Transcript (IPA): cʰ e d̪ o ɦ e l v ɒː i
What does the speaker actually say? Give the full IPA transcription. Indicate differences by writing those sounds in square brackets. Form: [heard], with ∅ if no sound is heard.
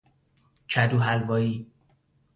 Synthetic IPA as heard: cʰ [æ] d̪ [u] ɦ [æ] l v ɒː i